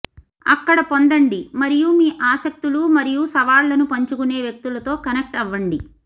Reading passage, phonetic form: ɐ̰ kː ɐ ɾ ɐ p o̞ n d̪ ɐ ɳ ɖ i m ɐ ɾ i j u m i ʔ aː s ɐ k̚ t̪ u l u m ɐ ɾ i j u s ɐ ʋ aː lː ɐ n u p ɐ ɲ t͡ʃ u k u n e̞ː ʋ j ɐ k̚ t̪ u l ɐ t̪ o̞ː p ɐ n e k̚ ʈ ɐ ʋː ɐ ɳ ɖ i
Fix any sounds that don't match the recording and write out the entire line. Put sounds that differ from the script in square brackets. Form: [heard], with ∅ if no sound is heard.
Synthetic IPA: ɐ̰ kː ɐ [ɽ] ɐ p o̞ n d̪ ɐ ɳ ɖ i m ɐ ɾ i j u m [iː] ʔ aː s ɐ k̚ t̪ u l u m ɐ ɾ i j u s ɐ ʋ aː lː ɐ n u p ɐ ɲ t͡ʃ u k u n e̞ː ʋ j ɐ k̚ t̪ u l ɐ t̪ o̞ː [k] ɐ n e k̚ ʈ ɐ ʋː ɐ ɳ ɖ i